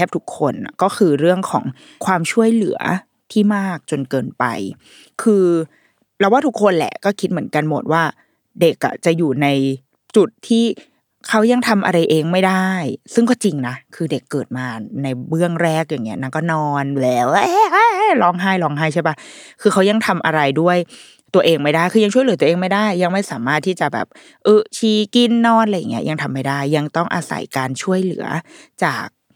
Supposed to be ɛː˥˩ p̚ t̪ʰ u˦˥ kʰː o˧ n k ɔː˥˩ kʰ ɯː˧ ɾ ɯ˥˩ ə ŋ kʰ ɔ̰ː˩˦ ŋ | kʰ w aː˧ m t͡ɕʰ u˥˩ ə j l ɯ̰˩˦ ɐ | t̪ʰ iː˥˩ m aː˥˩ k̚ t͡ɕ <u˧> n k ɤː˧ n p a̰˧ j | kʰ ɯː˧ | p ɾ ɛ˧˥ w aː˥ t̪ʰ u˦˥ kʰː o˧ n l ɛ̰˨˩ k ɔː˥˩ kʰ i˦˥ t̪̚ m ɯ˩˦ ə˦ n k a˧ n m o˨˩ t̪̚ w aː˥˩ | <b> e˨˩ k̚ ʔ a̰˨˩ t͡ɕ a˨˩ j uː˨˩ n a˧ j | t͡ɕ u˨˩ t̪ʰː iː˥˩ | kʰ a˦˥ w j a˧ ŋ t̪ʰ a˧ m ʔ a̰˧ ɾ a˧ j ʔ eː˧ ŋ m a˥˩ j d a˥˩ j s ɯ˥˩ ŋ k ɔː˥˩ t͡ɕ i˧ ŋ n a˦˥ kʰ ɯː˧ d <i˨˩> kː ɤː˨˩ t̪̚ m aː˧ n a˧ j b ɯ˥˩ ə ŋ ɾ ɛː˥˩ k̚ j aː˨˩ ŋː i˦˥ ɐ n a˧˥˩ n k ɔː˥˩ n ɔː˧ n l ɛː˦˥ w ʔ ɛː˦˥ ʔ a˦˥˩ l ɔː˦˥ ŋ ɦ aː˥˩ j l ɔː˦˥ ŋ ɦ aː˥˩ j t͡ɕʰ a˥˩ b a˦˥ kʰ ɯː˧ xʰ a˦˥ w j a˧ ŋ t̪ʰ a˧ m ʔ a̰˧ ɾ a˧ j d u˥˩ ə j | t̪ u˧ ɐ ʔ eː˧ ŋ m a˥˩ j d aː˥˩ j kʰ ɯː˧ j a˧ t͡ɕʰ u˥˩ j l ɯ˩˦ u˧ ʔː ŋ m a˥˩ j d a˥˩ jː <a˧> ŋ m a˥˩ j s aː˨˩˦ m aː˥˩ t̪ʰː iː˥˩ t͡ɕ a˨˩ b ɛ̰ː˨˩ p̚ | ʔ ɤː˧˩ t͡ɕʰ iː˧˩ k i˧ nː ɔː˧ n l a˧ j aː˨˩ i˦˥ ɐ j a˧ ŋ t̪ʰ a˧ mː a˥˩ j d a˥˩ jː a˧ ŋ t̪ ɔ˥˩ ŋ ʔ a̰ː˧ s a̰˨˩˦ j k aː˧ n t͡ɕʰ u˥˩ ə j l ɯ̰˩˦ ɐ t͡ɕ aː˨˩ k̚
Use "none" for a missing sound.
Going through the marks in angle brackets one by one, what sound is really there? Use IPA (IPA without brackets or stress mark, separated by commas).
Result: o˧, d, e˨˩, a˧